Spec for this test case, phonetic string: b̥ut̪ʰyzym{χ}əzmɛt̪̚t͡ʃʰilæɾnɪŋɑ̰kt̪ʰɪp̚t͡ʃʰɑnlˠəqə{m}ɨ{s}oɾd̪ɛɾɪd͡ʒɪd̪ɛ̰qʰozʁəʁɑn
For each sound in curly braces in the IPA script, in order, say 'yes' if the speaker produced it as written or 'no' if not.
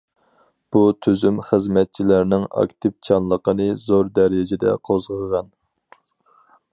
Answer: yes, no, no

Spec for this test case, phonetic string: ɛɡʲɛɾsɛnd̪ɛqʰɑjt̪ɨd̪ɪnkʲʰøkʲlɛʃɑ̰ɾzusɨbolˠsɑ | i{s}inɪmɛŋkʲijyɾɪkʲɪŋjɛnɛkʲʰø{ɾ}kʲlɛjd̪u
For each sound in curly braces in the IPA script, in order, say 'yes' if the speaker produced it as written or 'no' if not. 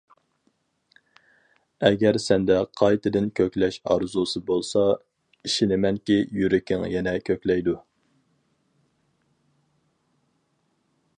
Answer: no, no

